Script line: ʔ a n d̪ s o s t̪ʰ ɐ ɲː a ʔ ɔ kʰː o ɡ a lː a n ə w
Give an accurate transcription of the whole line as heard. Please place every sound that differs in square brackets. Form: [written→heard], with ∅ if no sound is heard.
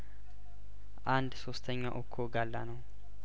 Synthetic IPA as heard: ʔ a n d̪ s o s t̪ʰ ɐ ɲː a ʔ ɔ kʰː o ɡ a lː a n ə w